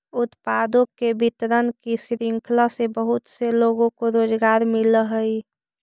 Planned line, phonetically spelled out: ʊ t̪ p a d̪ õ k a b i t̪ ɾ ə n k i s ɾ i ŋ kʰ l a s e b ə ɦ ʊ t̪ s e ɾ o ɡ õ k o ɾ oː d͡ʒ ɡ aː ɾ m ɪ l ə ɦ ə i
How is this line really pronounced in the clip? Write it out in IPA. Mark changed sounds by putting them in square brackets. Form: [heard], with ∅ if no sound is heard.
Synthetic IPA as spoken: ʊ t̪ p a d̪ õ k [e] b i t̪ ɾ ə n k i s ɾ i ŋ kʰ l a s e b ə ɦ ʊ t̪ s e [l] o ɡ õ k o ɾ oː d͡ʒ ɡ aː ɾ m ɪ l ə ɦ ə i